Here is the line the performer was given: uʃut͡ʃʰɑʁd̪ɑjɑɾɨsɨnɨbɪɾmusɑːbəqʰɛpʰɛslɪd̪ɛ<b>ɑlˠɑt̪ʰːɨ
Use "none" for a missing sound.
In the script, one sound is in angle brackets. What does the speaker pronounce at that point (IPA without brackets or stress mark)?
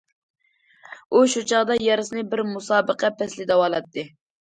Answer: w